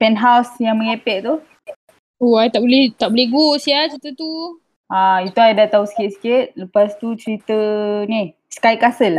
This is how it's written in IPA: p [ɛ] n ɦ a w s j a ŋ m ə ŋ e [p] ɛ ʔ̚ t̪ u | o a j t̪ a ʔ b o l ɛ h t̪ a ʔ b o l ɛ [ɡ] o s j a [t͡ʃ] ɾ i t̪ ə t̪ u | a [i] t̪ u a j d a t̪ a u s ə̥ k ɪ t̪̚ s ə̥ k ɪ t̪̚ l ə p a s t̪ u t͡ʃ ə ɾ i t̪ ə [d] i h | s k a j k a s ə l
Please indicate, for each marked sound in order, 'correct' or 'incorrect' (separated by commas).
correct, correct, correct, correct, correct, incorrect